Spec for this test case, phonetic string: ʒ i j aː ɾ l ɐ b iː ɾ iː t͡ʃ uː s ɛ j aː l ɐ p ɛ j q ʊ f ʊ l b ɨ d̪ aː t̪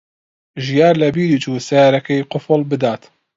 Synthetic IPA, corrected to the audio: ʒ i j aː ɾ l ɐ b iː ɾ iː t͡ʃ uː s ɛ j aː ɾ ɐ k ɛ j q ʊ f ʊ l b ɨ d̪ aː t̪